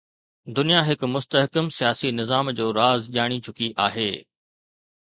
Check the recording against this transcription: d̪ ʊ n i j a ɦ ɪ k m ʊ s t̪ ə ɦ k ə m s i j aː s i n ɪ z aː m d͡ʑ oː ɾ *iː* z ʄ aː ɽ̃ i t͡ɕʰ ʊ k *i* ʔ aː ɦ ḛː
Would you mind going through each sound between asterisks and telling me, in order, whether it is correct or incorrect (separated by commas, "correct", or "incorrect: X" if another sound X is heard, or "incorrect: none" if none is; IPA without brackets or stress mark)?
incorrect: aː, correct